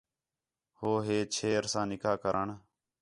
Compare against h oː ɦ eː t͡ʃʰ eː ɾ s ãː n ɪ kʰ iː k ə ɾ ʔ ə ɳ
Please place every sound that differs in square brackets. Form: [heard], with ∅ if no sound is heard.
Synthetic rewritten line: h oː ɦ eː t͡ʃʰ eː ɾ s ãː n ɪ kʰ [aː] k ə ɾ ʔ ə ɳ